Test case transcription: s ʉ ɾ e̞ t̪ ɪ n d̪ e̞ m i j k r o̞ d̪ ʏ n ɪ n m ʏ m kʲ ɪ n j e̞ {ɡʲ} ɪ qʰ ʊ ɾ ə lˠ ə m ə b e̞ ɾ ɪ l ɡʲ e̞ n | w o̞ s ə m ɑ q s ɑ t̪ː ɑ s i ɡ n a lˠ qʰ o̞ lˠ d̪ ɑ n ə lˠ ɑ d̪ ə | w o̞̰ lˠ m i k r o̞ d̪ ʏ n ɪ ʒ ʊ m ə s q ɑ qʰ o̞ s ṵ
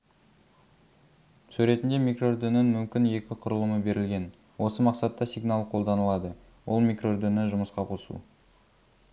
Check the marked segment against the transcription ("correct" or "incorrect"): incorrect